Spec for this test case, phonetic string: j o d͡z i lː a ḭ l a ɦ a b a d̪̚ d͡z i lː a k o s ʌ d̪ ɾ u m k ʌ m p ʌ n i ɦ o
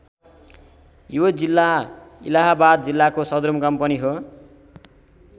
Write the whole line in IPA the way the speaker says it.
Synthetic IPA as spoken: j o d͡z i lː a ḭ l a ɦ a b a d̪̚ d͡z i lː a k o s ʌ d̪ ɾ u m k ʌ m p ʌ n i ɦ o